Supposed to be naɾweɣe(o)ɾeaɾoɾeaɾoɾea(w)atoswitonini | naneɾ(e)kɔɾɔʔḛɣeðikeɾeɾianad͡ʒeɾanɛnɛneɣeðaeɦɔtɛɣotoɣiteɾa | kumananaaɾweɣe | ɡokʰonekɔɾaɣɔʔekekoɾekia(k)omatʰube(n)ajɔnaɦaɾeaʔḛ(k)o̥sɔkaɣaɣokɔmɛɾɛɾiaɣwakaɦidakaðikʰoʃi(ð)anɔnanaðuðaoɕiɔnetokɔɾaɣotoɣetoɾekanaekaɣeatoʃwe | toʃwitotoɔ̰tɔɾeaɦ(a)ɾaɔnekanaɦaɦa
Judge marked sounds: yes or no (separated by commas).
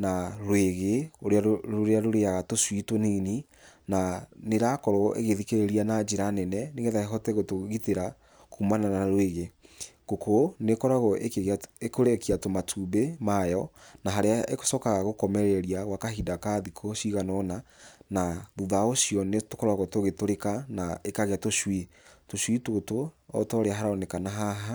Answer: yes, no, no, no, no, yes, no, yes